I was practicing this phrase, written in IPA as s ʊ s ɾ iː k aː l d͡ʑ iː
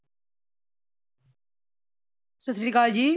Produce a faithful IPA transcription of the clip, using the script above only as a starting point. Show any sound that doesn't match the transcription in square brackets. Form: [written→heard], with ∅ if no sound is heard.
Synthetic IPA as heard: s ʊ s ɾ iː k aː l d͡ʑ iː